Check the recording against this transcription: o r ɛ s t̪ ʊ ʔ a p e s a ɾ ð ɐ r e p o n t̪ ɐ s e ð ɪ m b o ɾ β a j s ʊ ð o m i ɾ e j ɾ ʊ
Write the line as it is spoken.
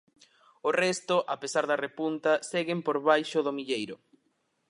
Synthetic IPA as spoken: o r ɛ s t̪ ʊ ʔ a p e s a ɾ ð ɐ r e p u n t̪ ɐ s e ɣ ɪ m p o ɾ β a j ʃ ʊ ð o m i ʎ e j ɾ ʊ